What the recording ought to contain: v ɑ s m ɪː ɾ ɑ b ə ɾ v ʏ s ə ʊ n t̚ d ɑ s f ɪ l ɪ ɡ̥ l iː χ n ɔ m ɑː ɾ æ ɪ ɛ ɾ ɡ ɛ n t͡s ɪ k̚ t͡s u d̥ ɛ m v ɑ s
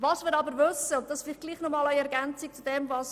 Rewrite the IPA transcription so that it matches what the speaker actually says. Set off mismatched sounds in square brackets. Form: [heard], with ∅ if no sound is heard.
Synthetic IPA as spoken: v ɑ s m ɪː ɾ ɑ b ə ɾ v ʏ s ə ʊ n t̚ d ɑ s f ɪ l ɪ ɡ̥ l iː χ n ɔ m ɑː [l] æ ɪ ɛ ɾ ɡ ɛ n t͡s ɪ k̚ t͡s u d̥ ɛ m v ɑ s